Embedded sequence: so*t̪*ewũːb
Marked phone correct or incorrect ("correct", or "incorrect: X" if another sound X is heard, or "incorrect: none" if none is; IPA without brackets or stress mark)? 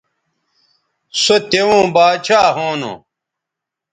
correct